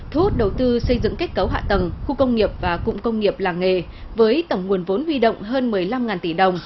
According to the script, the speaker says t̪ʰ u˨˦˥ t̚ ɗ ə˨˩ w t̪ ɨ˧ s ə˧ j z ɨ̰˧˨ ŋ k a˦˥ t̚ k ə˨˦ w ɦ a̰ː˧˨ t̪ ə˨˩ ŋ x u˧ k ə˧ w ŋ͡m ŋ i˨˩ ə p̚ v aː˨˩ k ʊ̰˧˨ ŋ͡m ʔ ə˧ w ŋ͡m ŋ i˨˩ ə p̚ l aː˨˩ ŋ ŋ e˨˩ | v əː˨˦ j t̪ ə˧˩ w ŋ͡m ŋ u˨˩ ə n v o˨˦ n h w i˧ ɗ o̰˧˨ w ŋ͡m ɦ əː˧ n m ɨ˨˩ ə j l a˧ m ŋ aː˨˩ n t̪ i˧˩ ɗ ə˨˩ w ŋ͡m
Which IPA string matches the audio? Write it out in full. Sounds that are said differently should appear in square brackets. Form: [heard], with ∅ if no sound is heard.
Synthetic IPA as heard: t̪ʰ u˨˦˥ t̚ ɗ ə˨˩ w t̪ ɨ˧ s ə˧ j z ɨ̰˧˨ ŋ k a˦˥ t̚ k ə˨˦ w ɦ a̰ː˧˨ t̪ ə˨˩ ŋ x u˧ k ə˧ w ŋ͡m ŋ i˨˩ ə p̚ v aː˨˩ k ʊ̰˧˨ ŋ͡m [k] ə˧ w ŋ͡m ŋ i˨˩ ə p̚ l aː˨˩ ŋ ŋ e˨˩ | v əː˨˦ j t̪ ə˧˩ w ŋ͡m ŋ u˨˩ ə n v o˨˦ n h w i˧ ɗ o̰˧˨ w ŋ͡m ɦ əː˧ n m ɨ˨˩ ə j l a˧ m ŋ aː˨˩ n t̪ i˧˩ ɗ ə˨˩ w ŋ͡m